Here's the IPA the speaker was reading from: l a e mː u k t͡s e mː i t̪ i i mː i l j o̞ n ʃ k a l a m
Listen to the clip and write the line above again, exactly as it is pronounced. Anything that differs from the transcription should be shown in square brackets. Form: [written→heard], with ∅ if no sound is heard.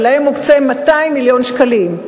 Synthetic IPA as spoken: l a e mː u k t͡s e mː [i→a] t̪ [i→a] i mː i l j o̞ n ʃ k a l [a→i] m